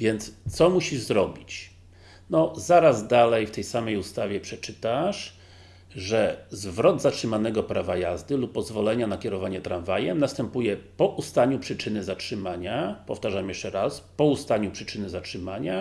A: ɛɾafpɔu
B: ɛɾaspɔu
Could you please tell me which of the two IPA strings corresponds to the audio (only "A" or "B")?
B